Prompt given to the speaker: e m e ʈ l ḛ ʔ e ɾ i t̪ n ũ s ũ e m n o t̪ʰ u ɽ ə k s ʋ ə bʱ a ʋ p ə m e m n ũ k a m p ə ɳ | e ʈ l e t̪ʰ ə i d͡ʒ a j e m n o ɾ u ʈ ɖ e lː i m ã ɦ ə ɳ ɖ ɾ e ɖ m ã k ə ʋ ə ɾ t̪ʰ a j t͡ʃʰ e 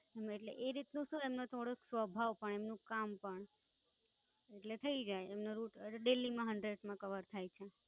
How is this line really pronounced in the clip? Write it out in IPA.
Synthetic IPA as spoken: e m e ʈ l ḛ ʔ e ɾ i t̪ n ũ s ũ e m n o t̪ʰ o ɽ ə k s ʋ ə bʱ a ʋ p ə ɳ e m n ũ k a m p ə ɳ | e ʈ l e t̪ʰ ə i d͡ʒ a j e m n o ɾ u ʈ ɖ e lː i m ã ɦ ə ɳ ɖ ɾ e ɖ m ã k ə ʋ ə ɾ t̪ʰ a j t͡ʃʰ e